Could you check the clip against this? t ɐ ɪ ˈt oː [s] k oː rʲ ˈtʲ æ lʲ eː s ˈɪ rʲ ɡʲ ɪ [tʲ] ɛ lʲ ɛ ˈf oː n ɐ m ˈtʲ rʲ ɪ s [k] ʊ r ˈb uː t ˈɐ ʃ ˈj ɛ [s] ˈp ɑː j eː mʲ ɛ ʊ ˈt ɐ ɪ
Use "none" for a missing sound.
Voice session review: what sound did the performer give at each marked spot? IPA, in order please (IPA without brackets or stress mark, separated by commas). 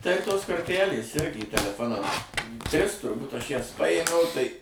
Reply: s, tʲ, t, s